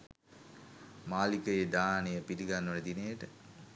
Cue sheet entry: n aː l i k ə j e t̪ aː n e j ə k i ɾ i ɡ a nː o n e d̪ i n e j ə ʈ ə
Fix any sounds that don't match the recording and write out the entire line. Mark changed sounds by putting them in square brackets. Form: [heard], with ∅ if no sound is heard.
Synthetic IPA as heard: [m] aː l i k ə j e [d̪] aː n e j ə [p] i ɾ i ɡ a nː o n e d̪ i n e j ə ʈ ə